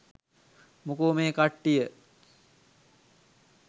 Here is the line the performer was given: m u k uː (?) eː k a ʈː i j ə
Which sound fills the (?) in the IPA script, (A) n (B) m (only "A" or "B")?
B